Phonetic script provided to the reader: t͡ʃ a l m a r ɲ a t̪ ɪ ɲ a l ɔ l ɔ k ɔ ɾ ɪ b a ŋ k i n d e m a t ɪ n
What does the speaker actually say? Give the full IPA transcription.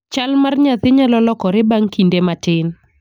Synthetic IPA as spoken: t͡ʃ a l m a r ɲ a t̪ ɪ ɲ a l ɔ l ɔ k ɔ ɾ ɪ b a ŋ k i n d e m a t ɪ n